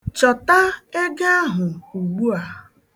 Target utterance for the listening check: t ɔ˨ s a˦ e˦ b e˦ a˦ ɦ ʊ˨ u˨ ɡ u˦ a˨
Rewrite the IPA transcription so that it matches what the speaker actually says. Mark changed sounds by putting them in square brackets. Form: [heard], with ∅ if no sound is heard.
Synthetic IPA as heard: [t͡ʃ] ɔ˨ [t] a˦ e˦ [ɡ] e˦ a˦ ɦ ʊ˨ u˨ [ɡ͡b] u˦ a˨

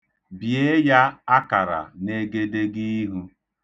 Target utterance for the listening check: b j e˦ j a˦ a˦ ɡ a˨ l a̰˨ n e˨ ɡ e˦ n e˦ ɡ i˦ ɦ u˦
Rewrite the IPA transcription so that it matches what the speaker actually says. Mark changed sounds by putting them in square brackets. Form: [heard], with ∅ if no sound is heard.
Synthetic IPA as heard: b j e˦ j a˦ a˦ [k] a˨ [ɾ] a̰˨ n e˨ ɡ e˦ [d] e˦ ɡ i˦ ɦ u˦

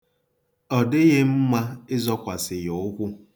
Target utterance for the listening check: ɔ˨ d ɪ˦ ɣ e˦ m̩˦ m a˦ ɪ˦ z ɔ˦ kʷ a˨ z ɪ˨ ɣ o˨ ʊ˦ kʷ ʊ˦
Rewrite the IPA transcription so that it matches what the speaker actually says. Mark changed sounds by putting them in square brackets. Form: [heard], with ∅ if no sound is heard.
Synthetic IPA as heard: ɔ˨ d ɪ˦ ɣ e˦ m̩˦ m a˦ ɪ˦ z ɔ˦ kʷ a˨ [s] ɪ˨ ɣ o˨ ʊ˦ kʷ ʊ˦

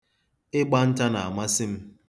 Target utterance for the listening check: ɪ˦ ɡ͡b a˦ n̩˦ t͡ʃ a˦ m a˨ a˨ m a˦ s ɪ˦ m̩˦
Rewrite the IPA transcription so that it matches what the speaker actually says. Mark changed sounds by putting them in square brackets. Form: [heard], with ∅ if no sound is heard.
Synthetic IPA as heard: ɪ˦ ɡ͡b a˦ n̩˦ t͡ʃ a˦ [n] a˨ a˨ m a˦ s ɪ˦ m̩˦

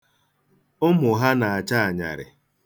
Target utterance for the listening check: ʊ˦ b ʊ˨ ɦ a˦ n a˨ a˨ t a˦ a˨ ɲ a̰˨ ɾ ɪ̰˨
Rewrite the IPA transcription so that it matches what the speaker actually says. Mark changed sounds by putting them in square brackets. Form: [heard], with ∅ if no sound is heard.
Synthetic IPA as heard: ʊ˦ [m] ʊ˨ ɦ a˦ n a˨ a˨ [t͡ʃ] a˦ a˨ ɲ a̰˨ ɾ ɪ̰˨

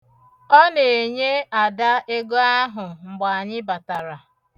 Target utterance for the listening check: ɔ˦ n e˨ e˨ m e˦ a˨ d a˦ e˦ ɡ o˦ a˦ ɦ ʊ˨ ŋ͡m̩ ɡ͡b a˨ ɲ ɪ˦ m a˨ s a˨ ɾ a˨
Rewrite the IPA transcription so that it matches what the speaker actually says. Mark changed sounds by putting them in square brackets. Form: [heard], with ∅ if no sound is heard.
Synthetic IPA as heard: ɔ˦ n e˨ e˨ [ɲ] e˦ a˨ d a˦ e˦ ɡ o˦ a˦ ɦ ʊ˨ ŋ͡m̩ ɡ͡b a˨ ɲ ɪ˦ [b] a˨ [t] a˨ ɾ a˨

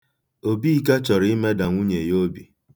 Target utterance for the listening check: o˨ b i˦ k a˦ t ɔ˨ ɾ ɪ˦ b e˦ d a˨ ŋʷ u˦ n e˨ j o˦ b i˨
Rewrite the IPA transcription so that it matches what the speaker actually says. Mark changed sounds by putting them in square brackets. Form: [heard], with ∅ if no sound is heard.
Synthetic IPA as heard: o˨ b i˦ k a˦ [t͡ʃ] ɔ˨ ɾ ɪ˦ [m] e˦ d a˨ ŋʷ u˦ [ɲ] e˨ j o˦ b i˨

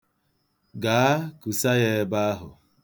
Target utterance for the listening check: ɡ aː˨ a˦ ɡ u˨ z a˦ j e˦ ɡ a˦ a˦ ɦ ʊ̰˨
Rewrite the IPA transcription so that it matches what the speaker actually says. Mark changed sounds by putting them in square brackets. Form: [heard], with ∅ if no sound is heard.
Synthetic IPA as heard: ɡ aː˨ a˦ [k] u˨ [s] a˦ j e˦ [b] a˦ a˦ ɦ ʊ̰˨

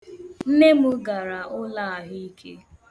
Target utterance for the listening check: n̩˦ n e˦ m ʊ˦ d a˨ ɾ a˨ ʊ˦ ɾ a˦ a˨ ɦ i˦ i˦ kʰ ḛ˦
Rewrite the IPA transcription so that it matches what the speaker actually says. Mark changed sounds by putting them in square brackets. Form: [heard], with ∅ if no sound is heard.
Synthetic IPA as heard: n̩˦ n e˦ m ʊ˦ [ɡ] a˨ ɾ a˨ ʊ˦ [l] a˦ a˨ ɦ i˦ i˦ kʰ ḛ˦

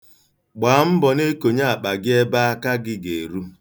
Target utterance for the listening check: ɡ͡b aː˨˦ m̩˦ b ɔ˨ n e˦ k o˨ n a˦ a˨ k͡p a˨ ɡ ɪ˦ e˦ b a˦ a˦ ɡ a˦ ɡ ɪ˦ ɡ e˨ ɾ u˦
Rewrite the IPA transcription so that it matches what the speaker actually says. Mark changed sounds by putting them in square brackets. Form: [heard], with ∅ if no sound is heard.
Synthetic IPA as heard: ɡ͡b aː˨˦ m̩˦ b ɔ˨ n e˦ k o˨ [ɲ] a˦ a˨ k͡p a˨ ɡ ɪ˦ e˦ b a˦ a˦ [k] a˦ ɡ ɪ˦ ɡ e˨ ɾ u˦

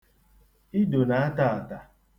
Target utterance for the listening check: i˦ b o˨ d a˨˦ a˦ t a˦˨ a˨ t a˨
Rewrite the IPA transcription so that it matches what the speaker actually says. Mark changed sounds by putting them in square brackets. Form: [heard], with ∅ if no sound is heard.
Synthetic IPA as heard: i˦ [d] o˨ [n] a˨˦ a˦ t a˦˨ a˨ t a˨

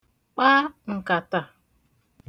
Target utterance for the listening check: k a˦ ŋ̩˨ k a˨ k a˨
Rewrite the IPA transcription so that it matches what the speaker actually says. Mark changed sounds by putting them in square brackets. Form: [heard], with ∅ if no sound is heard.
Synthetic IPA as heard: [k͡p] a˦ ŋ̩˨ k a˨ [t] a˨

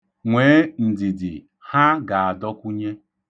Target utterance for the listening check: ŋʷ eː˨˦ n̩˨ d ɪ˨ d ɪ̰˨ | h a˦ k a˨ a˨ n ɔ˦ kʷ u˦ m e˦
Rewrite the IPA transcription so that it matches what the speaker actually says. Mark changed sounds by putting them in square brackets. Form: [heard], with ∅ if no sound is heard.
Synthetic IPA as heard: ŋʷ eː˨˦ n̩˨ d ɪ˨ d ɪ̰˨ | h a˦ [ɡ] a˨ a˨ [d] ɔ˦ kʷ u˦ [ɲ] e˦

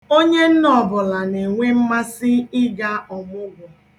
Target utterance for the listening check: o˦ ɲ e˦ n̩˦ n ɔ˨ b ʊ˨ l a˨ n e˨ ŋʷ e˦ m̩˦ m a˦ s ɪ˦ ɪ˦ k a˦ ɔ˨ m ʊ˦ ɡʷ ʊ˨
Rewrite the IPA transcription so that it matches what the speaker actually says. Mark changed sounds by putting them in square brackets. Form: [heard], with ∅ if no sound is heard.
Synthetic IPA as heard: o˦ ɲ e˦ n̩˦ n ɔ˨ b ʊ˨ l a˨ n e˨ ŋʷ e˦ m̩˦ m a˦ s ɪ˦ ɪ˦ [ɡ] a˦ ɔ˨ m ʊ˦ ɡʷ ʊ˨

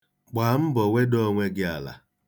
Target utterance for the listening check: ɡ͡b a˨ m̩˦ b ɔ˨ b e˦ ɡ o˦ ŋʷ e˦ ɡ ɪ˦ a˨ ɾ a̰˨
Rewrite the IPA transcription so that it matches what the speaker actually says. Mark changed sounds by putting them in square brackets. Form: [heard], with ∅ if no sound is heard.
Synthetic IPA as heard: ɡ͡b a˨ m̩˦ b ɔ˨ [w] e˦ [d] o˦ ŋʷ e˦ ɡ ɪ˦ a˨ [l] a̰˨

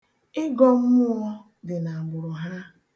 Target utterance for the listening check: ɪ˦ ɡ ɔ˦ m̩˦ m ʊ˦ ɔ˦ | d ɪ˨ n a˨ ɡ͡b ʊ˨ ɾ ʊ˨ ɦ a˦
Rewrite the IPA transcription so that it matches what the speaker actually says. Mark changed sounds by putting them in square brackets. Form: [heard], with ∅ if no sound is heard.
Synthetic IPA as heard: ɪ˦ ɡ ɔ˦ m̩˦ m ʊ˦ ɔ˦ | d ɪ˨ n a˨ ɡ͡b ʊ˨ ɾ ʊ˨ ɦ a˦

